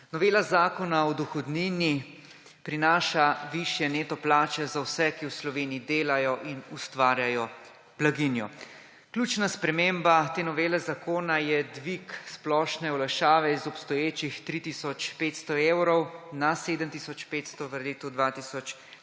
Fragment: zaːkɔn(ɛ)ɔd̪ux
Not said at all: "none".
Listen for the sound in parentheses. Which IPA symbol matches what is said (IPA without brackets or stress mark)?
a